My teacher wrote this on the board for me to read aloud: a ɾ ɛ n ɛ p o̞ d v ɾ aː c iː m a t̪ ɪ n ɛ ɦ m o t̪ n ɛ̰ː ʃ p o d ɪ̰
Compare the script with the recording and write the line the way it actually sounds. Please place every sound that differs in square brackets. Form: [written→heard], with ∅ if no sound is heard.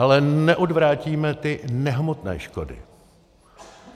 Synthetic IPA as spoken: a [ɾ→l] ɛ n ɛ [p→ʔ] o̞ d v ɾ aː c iː m [a→ɛ] t̪ ɪ n ɛ ɦ m o t̪ n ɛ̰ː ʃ [p→k] o d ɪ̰